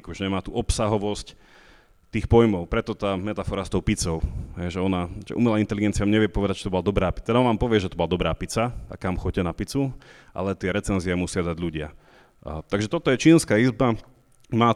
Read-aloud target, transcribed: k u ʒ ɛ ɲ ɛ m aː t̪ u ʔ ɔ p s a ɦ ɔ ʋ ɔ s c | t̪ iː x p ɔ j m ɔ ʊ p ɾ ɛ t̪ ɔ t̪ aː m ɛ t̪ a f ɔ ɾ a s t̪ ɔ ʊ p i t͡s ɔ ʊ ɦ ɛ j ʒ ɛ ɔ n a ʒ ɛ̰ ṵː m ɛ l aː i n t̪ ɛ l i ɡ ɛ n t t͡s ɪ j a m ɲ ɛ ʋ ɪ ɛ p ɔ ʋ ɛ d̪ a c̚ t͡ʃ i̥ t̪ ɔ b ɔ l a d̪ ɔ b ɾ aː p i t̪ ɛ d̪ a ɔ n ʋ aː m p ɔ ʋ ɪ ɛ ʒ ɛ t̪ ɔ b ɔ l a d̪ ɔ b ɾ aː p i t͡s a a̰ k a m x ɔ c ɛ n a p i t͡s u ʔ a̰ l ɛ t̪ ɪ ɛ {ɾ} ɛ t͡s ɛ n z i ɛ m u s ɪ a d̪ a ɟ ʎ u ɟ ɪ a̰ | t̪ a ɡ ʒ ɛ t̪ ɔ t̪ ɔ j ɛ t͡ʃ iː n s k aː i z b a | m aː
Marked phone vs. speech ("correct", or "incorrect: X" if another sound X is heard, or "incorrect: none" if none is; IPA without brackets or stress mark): correct